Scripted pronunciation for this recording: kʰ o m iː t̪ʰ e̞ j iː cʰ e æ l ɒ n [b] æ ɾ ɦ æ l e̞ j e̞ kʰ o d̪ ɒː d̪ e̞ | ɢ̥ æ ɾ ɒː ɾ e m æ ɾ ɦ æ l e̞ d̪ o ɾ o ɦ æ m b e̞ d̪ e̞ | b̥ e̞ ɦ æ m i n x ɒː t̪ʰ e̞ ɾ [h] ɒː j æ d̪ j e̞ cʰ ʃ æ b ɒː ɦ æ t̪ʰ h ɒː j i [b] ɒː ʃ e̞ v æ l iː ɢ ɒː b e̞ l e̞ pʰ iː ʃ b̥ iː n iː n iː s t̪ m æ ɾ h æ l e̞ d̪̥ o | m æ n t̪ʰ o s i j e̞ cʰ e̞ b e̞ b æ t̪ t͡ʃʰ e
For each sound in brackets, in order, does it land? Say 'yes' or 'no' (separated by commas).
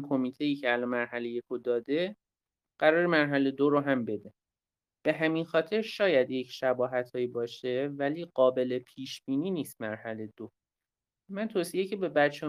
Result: no, no, yes